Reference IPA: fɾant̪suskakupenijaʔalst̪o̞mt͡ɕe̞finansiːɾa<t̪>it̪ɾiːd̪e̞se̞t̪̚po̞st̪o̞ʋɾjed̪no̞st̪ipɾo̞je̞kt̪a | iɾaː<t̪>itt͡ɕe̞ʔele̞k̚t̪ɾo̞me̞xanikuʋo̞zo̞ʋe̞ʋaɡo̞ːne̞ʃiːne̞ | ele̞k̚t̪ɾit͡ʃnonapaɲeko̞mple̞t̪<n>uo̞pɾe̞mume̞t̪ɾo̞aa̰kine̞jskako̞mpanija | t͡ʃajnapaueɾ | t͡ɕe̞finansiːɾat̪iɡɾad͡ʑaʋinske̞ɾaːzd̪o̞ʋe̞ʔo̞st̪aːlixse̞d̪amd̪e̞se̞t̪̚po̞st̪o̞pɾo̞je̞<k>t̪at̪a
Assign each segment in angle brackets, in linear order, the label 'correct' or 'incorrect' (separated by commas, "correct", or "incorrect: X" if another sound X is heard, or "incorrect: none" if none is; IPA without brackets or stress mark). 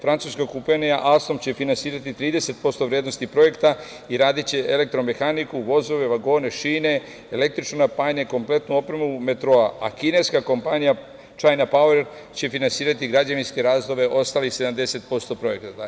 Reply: correct, incorrect: d̪, correct, correct